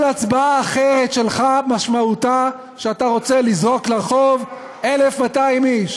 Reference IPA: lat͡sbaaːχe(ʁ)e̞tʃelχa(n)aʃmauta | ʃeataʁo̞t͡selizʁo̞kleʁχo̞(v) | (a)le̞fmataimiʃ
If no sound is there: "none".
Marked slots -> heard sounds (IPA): ʁ, m, v, e

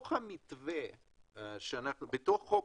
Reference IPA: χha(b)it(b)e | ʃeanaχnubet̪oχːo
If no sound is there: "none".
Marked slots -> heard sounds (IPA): m, v

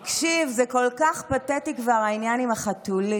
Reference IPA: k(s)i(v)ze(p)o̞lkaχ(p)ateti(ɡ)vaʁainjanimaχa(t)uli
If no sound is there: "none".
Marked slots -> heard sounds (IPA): ʃ, v, k, p, k, t

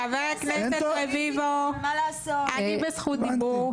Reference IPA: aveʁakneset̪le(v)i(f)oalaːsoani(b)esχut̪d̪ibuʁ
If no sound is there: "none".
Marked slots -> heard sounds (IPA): v, v, b

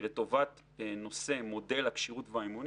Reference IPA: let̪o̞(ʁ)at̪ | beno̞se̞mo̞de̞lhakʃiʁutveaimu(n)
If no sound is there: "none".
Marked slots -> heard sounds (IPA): v, n

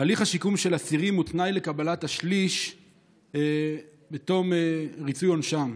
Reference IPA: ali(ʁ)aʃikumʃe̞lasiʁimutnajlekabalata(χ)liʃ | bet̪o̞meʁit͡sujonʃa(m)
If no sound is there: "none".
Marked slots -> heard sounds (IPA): χ, ʃ, m

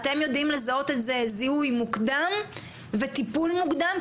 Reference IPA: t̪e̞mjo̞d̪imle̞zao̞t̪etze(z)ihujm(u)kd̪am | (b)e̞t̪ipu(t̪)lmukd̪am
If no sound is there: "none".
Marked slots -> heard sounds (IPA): z, u, v, none

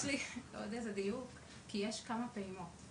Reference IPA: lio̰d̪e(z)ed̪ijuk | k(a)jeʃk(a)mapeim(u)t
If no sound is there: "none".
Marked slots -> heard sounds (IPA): z, i, a, o

